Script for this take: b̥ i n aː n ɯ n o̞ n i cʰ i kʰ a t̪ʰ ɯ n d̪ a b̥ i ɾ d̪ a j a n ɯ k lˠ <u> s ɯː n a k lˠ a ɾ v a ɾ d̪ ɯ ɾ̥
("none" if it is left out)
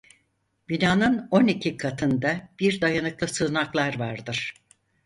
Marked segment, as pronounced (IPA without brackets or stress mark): ɯ